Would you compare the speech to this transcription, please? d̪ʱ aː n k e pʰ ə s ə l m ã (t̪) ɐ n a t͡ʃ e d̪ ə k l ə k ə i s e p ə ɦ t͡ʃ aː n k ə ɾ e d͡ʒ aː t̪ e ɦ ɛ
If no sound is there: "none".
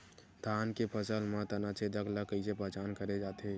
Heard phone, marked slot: t̪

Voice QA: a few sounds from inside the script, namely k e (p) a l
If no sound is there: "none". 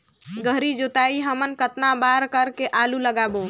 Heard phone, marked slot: ʔ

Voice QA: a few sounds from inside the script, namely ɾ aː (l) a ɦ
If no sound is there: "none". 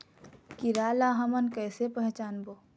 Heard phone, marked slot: l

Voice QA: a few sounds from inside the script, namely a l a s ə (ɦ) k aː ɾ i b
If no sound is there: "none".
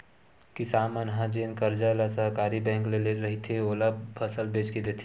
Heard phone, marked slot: ɦ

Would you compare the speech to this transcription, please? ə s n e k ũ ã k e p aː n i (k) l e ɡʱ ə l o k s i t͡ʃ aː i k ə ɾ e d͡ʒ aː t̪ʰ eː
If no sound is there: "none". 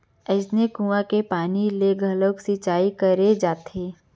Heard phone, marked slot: none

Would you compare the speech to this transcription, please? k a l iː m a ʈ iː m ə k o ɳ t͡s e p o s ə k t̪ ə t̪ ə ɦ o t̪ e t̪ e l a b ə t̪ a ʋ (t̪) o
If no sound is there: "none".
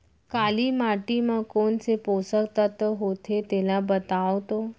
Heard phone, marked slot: t̪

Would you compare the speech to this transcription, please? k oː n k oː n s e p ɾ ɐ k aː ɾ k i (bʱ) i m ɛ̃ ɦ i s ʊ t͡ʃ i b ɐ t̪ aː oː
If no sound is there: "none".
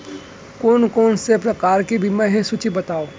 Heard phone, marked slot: bʱ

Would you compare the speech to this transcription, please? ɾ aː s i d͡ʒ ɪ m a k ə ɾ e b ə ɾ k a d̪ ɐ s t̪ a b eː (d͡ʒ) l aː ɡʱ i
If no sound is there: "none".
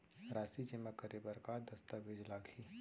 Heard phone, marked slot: d͡ʒ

